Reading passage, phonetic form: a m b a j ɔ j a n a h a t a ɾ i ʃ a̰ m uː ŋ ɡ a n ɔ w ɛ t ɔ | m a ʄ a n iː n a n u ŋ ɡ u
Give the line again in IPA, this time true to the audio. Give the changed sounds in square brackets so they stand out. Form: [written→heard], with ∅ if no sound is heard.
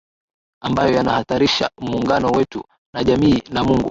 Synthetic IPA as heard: a m b a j ɔ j a n a h a t a ɾ i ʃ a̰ m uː ŋ ɡ a n ɔ w ɛ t [ɔ→u] | [m→n] a ʄ a [n→m] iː n a [n→m] u ŋ ɡ u

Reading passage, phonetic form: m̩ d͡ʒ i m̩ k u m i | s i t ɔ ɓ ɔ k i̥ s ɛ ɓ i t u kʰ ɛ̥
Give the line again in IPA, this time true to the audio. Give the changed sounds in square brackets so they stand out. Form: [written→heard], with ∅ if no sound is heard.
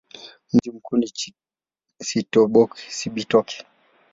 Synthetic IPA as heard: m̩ d͡ʒ i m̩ k u [m→n] i | s i t ɔ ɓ ɔ k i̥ s [ɛ→i] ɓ i t [u→ɔ] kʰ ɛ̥

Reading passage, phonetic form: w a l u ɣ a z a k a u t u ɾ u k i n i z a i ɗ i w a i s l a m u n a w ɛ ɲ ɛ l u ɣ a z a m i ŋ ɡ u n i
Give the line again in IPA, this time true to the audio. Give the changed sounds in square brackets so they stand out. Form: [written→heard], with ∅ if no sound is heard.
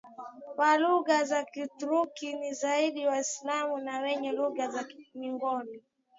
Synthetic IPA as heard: w a l u ɣ a z a k [a→i] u t u ɾ u k i n i z a i ɗ i w a i s l a m u n a w ɛ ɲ ɛ l u ɣ a z a m i ŋ ɡ [u→ɔ] n i

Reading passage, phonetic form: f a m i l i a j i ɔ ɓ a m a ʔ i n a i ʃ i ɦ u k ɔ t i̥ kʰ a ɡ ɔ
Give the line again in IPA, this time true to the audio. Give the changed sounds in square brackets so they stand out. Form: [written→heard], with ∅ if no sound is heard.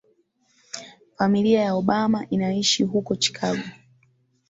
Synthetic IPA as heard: f a m i l i a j [i→a] ɔ ɓ a m a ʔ i n a i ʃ i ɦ u k ɔ [t→t͡ʃ] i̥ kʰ a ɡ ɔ

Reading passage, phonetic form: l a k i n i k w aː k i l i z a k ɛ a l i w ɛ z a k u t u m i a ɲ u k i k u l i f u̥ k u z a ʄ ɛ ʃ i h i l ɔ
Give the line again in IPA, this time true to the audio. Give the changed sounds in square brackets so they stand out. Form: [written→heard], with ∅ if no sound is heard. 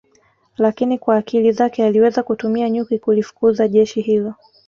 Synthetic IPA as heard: l a k i n i k w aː k i l i z a k ɛ a l i w ɛ z a k u t u m i a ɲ u k i k u l i f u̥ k u z a ʄ ɛ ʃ i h i l ɔ

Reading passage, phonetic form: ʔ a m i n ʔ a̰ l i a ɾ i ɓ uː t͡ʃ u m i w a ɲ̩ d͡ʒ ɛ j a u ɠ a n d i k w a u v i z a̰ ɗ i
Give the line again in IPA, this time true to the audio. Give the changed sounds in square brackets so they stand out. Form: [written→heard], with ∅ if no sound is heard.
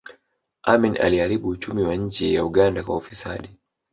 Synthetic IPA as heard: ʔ a m i n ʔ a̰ l i a ɾ i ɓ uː t͡ʃ u m i w a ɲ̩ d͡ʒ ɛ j a u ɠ a n d [i→a] k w a u [v→f] i [z→s] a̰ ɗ i

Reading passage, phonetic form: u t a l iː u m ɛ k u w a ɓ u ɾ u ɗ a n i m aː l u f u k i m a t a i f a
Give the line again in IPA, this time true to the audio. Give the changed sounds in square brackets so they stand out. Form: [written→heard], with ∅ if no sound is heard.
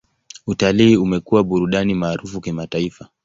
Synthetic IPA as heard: u t a l iː u m ɛ k u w a ɓ u ɾ u ɗ a n i m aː [l→ɾ] u f u k i m a t a i f a

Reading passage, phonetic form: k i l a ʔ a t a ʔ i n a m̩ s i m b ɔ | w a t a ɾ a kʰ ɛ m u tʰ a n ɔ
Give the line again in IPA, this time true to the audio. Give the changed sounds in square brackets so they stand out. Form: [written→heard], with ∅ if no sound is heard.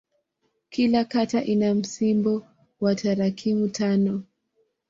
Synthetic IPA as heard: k i l a [ʔ→k] a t a ʔ i n a m̩ s i m b ɔ | w a t a ɾ a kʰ [ɛ→i] m u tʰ a n ɔ

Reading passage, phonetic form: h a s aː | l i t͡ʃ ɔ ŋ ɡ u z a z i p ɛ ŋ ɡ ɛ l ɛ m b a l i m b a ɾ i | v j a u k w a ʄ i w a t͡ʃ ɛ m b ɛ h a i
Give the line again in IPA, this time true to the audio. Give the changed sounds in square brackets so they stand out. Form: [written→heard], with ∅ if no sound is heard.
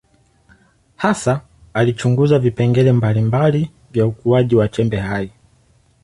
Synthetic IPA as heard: h a s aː | l i t͡ʃ [ɔ→u] ŋ ɡ u z a [z→v] i p ɛ ŋ ɡ ɛ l ɛ m b a l i m b a [ɾ→l] i | v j a u k [w→u] a ʄ i w a t͡ʃ ɛ m b ɛ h a i

